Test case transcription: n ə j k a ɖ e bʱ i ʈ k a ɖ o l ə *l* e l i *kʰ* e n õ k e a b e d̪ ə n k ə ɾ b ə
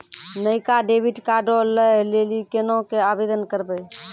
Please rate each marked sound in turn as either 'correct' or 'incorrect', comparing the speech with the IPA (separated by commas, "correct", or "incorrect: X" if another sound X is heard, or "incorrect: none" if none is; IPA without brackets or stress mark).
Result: correct, incorrect: k